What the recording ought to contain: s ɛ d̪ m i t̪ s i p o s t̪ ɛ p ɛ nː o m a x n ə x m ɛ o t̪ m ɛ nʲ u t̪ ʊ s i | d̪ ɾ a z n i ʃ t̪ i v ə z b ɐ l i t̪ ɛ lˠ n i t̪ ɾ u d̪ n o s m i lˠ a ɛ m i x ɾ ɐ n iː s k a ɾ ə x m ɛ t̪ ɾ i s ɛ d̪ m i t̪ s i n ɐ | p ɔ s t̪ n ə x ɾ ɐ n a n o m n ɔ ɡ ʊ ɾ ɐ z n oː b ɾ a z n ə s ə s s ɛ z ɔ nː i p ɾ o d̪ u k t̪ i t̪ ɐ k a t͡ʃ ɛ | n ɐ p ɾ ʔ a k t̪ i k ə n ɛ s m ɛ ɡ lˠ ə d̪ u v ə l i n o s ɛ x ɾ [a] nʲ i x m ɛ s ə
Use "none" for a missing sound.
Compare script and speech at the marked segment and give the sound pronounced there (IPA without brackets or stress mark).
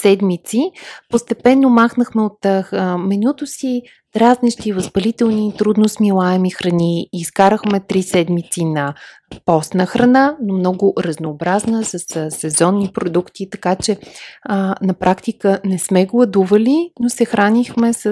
a